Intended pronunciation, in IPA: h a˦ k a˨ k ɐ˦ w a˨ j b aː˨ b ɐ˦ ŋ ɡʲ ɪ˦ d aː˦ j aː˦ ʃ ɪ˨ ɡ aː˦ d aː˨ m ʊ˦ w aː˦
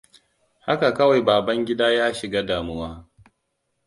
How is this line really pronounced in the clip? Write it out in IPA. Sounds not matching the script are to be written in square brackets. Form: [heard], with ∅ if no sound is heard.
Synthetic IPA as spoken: h a˦ k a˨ k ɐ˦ w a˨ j b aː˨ b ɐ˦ ŋ ɡʲ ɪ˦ d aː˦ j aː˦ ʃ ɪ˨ ɡ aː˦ d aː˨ m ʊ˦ w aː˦